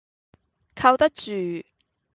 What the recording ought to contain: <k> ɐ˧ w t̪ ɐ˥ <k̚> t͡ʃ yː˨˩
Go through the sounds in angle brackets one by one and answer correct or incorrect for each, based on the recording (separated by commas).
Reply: incorrect, correct